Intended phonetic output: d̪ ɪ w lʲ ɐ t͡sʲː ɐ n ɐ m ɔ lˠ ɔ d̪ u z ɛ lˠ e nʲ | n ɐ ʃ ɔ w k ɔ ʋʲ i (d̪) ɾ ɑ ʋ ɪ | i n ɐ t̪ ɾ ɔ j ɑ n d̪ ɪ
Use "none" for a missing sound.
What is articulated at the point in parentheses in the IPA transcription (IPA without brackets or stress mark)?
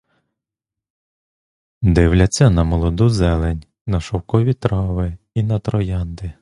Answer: t̪